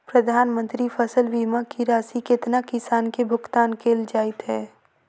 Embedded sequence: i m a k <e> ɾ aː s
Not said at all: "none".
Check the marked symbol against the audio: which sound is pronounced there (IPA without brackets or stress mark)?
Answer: i